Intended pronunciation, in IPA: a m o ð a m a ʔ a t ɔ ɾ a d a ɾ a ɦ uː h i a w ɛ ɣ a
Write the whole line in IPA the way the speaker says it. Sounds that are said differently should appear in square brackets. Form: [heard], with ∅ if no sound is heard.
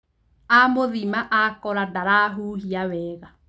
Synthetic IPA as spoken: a m o ð [i] m a ʔ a [k] ɔ ɾ a d a ɾ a ɦ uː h i a w ɛ ɣ a

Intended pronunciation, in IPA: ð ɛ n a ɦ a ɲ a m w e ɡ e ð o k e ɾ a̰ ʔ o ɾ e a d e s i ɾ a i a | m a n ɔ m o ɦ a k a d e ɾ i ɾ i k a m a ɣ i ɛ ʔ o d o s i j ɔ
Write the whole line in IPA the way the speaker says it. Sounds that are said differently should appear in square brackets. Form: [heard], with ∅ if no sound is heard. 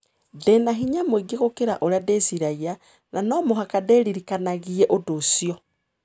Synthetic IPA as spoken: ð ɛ n a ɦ [i] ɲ a m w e ɡ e [ɣ] o k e ɾ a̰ ʔ o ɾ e a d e s i ɾ a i a | [n] a n ɔ m o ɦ a k a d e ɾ i ɾ i k a [n] a ɣ i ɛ ʔ o d o s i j ɔ

